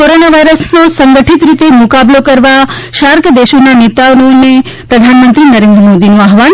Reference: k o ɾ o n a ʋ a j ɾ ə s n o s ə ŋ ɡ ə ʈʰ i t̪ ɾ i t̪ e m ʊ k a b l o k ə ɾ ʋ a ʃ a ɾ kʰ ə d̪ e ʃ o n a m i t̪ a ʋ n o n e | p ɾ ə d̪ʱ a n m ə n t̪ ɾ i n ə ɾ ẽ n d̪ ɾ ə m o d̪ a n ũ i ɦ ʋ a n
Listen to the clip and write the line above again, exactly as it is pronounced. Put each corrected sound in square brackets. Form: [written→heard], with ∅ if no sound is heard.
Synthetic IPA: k o ɾ o n a ʋ a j ɾ ə s n o s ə ŋ ɡ ə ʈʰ i t̪ ɾ i t̪ e m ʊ k a b l o k ə ɾ ʋ a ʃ a ɾ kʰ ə d̪ e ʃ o n a [m→n] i t̪ a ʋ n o n e | p ɾ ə d̪ʱ a n m ə n t̪ ɾ i n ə ɾ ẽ n d̪ ɾ ə m o d̪ [a→i] n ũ [i→a] ɦ ʋ a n